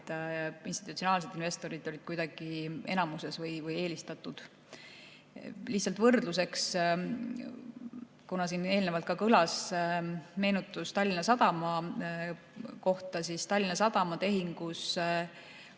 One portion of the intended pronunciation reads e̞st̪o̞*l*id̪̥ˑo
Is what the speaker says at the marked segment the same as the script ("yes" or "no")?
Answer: no